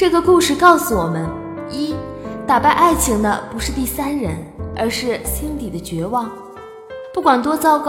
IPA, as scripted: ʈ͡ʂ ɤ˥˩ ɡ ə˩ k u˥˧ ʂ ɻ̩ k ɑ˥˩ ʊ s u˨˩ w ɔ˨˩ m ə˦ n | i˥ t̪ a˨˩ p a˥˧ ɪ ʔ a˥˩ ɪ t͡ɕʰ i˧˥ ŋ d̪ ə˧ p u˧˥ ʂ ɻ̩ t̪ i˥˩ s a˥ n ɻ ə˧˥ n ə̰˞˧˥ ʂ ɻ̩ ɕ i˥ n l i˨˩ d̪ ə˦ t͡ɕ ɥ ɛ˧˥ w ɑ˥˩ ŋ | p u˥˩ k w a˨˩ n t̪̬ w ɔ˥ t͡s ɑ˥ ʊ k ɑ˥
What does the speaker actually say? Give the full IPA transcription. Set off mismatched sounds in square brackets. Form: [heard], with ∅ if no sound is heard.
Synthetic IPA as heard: ʈ͡ʂ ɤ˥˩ ɡ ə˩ k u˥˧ ʂ ɻ̩ k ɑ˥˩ ʊ s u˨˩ w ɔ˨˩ m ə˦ n | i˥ t̪ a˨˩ p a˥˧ ɪ ʔ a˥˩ ɪ t͡ɕʰ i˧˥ ŋ d̪ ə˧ p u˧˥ ʂ ɻ̩ t̪ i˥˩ s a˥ n ɻ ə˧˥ n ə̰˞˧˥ ʂ ɻ̩ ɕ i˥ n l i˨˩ d̪ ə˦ t͡ɕ ɥ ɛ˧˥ w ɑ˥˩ ŋ | p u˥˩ k w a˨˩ n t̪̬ w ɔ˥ t͡s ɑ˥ ʊ k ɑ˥